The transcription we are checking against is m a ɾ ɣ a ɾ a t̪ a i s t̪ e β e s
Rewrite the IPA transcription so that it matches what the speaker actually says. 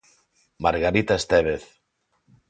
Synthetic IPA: m a ɾ ɣ a ɾ i t̪ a e s t̪ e β e θ